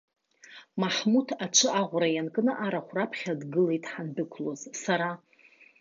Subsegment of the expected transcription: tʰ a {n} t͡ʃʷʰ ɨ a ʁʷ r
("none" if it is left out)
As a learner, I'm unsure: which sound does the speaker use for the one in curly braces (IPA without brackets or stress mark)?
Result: none